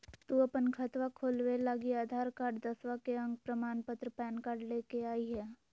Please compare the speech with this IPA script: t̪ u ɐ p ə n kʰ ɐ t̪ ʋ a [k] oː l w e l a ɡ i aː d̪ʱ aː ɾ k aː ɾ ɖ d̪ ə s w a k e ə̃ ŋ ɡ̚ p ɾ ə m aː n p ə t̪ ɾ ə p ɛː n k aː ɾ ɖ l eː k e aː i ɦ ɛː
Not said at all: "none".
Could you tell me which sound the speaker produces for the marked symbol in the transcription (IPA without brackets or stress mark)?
kʰ